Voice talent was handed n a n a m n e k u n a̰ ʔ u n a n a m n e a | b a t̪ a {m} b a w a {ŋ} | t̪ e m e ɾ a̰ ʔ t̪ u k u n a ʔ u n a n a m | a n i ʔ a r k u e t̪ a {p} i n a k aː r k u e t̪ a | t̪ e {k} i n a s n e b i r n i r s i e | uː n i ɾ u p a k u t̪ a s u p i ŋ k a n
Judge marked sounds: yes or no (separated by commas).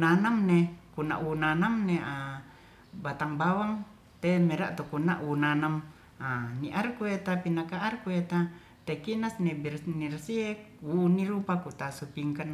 no, yes, yes, yes